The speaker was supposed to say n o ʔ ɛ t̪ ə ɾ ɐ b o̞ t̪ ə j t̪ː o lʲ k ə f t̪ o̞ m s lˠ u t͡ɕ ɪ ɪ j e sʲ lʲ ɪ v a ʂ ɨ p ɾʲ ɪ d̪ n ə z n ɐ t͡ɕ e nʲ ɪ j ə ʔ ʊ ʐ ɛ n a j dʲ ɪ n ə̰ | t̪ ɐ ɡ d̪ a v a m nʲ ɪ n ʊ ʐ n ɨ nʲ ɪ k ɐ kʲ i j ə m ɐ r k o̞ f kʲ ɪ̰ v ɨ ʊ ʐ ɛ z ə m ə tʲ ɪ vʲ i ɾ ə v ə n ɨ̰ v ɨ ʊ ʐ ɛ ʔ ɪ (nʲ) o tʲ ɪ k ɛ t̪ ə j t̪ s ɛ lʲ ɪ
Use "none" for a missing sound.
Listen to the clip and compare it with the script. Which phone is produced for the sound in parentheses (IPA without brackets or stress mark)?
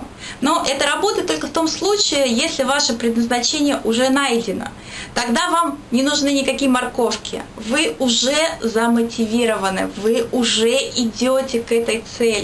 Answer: dʲ